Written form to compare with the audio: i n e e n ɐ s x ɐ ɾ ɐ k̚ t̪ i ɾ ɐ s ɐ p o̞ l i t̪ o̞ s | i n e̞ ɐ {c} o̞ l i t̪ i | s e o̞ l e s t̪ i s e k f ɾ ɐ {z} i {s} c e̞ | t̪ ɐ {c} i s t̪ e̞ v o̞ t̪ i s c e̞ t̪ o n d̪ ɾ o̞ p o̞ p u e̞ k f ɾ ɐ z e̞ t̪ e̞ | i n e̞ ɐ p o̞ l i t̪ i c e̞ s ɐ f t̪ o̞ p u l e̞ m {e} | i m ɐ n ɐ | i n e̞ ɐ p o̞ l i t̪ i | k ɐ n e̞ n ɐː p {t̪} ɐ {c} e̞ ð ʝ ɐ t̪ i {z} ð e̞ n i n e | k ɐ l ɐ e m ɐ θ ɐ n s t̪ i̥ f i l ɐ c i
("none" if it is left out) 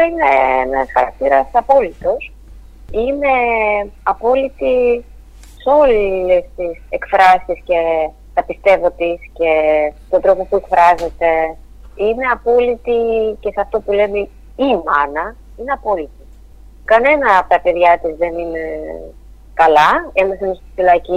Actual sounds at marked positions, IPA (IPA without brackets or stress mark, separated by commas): p, s, s, p, e, t̪, p, z